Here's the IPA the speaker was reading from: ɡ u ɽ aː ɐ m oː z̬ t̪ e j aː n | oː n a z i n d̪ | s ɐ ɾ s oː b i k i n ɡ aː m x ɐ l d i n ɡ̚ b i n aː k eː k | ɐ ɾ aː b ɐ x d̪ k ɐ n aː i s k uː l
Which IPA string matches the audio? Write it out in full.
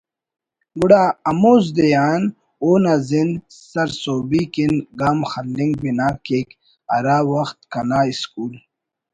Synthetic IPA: ɡ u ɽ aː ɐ m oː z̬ d̪ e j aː n | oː n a z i n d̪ | s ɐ ɾ s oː b i k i n ɡ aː m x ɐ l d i ŋ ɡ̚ b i n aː k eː k | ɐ ɾ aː w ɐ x t̪ k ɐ n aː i s k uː l